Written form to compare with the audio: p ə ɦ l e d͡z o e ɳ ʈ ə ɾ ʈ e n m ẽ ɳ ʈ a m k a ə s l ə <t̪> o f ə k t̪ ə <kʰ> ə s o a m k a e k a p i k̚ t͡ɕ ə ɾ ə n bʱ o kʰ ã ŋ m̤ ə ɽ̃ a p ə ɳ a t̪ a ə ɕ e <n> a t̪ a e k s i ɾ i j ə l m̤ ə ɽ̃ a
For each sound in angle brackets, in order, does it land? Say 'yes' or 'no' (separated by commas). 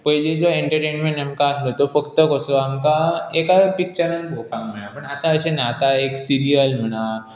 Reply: yes, no, yes